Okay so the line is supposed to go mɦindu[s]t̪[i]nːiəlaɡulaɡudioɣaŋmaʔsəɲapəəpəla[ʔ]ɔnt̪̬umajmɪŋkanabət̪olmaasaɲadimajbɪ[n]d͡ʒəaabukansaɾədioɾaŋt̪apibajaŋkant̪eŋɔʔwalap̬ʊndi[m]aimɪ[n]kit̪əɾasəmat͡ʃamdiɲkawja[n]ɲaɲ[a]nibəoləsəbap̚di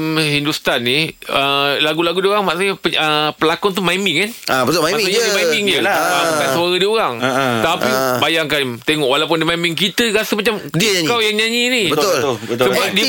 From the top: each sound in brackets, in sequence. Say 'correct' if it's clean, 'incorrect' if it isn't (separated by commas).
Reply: correct, incorrect, incorrect, incorrect, correct, incorrect, incorrect, incorrect